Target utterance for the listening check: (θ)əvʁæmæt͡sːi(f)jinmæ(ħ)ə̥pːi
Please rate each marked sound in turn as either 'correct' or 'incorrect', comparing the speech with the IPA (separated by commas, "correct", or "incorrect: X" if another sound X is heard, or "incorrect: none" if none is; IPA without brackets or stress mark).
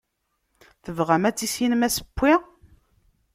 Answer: correct, incorrect: s, incorrect: s